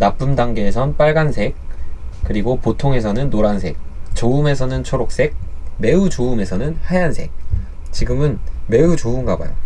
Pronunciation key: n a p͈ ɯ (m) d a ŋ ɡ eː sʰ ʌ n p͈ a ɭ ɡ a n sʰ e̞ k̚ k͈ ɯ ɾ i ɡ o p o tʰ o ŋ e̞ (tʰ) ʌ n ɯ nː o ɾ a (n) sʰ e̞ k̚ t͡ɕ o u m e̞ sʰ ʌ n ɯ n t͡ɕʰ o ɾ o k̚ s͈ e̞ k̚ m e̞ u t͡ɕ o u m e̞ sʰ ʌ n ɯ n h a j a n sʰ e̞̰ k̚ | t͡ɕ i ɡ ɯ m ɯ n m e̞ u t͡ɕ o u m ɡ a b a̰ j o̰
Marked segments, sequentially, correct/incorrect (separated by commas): correct, incorrect, correct